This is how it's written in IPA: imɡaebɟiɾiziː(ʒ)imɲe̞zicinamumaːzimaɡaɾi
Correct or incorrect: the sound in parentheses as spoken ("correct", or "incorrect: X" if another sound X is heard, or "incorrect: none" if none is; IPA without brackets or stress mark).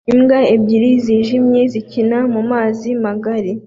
correct